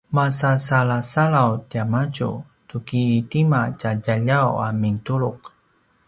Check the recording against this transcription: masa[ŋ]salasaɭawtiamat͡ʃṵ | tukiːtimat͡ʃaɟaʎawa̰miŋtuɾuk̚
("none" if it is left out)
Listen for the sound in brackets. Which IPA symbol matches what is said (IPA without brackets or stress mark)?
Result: none